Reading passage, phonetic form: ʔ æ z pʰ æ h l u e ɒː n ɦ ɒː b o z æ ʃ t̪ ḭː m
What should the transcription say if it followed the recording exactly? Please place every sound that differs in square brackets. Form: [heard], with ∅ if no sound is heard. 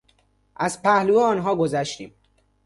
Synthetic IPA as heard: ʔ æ z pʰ æ h l u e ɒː n ɦ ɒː [ɡ] o z æ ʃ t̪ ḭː m